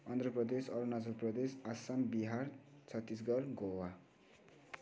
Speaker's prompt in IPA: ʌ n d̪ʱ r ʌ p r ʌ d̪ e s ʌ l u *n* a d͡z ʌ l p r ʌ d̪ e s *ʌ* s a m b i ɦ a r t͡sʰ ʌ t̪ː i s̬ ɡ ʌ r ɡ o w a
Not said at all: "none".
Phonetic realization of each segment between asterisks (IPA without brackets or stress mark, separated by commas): n, a